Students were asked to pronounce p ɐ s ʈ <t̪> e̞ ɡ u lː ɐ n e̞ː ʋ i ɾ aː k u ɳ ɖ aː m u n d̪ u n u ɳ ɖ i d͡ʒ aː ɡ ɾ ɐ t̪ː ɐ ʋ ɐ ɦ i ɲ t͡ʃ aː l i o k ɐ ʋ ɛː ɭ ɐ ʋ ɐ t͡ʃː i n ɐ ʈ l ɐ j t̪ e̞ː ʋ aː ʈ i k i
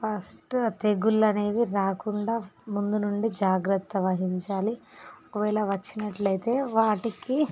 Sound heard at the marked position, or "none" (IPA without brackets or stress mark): t̪